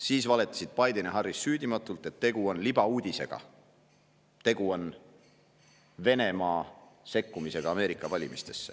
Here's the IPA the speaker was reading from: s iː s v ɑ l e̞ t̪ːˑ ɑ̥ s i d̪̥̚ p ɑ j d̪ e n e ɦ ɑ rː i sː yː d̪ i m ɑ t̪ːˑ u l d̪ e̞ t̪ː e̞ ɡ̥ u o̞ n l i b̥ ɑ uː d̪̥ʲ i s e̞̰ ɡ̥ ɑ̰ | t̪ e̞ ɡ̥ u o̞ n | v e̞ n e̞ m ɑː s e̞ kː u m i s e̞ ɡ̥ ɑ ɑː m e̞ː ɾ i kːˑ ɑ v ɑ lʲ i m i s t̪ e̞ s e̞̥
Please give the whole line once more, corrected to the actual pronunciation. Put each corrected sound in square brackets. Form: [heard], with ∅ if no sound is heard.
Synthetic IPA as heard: s iː s v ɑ l e̞ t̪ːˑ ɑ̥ s i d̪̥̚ p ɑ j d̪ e n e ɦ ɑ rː i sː yː d̪ i m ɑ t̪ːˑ u l [t̪] e̞ t̪ː e̞ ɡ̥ u o̞ n l i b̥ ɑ uː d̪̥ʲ i s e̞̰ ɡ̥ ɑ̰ | t̪ e̞ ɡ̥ u o̞ n | v e̞ n e̞ m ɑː s e̞ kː u m i s e̞ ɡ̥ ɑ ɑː m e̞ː ɾ i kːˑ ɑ v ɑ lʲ i m i s t̪ e̞ [sː] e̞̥